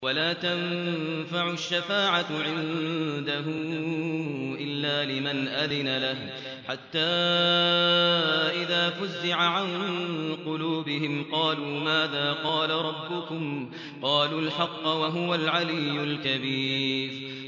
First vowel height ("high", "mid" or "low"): low